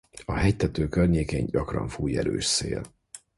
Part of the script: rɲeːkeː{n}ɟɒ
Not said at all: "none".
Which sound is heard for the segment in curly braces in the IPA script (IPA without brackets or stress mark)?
ɲ